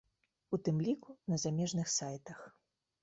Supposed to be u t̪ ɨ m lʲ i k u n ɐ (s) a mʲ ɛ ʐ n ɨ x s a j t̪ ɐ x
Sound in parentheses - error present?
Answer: yes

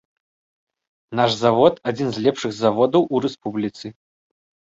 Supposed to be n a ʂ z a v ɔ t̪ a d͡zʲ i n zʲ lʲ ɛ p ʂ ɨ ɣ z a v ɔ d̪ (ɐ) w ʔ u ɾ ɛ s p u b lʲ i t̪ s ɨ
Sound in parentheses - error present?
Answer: no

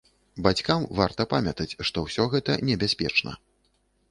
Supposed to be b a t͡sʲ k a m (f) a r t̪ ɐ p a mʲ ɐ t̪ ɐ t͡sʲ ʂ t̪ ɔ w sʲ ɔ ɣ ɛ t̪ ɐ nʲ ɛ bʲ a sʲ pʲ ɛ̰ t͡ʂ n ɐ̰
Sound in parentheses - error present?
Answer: yes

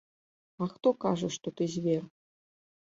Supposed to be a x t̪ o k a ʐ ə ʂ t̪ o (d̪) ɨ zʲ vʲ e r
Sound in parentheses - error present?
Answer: yes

